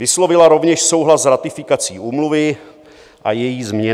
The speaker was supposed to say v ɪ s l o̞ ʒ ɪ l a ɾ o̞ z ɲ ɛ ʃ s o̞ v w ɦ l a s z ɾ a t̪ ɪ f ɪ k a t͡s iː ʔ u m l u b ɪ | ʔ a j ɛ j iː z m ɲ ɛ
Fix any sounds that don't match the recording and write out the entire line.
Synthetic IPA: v ɪ s l o̞ v ɪ l a ɾ o̞ v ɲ ɛ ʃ s o̞ w ɦ l a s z ɾ a t̪ ɪ f ɪ k a t͡s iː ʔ uː m l u v ɪ | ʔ a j ɛ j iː z m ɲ ɛ